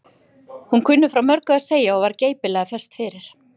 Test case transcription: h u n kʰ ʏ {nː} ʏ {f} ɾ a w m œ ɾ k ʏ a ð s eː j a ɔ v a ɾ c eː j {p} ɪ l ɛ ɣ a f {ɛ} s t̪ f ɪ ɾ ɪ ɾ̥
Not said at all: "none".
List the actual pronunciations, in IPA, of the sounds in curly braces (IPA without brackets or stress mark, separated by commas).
nː, f, p, ɛ